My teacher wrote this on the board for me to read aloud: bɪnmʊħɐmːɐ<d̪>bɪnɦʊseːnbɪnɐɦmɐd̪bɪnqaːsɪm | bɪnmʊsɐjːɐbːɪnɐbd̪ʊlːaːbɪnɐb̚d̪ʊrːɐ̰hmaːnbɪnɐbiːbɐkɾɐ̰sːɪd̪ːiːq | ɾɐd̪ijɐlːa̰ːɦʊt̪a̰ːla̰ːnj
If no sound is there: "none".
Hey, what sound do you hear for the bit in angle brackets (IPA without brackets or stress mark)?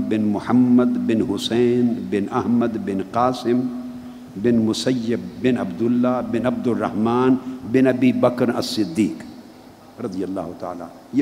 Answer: d̪